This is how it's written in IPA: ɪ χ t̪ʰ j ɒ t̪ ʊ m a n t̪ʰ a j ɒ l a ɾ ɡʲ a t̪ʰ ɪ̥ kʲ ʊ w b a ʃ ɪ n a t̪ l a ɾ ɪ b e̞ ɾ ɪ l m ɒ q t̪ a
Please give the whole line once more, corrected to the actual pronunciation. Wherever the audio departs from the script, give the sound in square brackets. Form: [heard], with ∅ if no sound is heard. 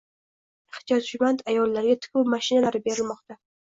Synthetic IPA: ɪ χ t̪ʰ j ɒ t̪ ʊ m a n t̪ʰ a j ɒ [lː] a ɾ ɡʲ a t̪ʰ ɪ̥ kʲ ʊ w [m] a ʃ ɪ n a [∅] l a ɾ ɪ b e̞ ɾ ɪ l m ɒ q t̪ a